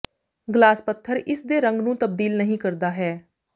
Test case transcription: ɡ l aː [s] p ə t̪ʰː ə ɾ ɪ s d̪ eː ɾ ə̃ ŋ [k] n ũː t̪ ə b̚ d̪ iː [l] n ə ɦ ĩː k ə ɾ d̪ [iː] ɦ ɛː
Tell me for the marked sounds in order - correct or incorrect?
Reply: correct, incorrect: ɡ, correct, incorrect: aː

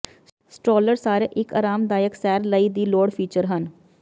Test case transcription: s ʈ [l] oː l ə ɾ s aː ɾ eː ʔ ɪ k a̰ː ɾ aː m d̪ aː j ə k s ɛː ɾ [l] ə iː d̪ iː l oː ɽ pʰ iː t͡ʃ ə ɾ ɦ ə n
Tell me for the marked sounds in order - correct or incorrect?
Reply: incorrect: ɾ, correct

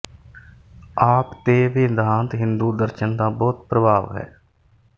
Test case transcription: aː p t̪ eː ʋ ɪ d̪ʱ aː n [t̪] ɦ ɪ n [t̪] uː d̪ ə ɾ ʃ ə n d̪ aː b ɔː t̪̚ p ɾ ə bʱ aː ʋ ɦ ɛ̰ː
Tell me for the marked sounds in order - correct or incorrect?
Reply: correct, incorrect: d̪

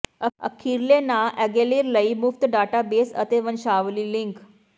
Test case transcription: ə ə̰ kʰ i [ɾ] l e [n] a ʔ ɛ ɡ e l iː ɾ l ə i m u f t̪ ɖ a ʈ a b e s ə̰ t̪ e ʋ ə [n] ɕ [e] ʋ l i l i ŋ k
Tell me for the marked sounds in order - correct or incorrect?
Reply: correct, correct, correct, incorrect: a

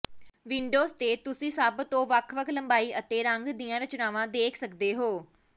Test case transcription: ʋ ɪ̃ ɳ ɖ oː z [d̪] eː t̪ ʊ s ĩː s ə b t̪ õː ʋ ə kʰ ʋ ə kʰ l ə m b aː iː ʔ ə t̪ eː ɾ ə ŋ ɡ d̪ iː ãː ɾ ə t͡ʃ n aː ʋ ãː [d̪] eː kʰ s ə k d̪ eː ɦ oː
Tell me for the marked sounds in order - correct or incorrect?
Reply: incorrect: t̪, correct

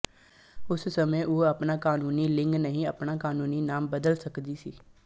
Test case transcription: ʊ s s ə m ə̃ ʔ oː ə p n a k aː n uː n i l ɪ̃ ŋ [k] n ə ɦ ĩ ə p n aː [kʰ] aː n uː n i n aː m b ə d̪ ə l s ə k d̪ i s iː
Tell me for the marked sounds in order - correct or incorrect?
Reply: incorrect: ɡ, incorrect: k

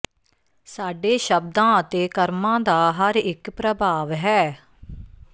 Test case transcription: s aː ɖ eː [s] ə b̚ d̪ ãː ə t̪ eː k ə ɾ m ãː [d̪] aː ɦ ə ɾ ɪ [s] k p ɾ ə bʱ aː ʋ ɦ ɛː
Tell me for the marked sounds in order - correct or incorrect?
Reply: incorrect: ʃ, correct, incorrect: none

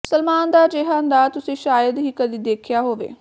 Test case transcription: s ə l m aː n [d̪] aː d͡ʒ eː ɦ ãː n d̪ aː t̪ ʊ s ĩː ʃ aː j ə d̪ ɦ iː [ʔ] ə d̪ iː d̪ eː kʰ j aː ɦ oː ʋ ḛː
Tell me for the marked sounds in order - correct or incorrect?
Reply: correct, incorrect: k

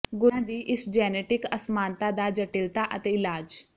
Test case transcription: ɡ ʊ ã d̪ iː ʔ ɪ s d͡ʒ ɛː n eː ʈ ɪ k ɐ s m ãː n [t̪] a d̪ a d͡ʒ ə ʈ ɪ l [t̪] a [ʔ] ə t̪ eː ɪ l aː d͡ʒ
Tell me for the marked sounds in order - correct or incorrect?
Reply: correct, correct, correct

